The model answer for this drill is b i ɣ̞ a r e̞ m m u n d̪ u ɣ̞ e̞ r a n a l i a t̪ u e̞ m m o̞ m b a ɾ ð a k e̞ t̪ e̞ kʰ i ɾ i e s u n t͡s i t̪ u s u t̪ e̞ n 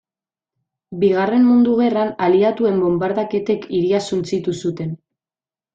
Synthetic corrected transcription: b i ɣ̞ a r e̞ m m u n d̪ u ɣ̞ e̞ r a n a l i a t̪ u e̞ m b o̞ m b a ɾ ð a k e̞ t̪ e̞ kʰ i ɾ i a s u n t͡s i t̪ u s u t̪ e̞ n